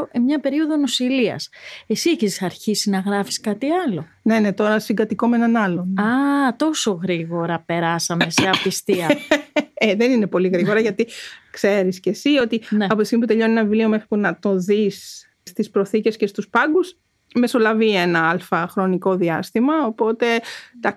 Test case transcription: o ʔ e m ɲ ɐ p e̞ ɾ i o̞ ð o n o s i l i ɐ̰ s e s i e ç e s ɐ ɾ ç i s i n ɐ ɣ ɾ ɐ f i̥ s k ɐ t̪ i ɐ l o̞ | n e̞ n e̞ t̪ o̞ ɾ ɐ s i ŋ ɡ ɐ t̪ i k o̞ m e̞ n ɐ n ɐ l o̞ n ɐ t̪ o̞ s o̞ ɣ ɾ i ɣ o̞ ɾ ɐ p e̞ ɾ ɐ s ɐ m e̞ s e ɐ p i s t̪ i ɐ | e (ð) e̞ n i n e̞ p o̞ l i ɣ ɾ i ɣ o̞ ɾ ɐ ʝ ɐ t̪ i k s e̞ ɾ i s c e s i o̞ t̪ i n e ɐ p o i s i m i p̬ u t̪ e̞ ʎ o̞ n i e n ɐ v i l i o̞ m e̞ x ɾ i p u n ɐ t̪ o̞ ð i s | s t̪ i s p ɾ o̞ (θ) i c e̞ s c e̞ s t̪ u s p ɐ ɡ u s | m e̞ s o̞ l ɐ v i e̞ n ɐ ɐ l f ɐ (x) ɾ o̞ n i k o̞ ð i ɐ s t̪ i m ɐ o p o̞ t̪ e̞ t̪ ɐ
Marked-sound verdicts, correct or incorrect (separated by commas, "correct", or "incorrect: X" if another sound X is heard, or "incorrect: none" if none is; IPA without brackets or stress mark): correct, correct, correct